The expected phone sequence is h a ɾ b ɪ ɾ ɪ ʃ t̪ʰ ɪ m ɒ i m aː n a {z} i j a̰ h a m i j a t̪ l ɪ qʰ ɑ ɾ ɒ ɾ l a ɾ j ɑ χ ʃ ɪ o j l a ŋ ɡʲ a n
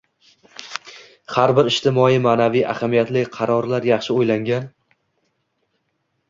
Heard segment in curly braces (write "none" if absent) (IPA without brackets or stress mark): v